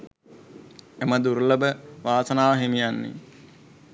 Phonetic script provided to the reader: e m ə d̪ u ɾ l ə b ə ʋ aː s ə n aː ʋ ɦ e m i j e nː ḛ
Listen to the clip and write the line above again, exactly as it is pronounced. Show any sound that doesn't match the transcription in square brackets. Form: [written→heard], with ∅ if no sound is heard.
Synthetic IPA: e m ə d̪ u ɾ l ə b ə ʋ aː s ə n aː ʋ ɦ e m i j [e→a] nː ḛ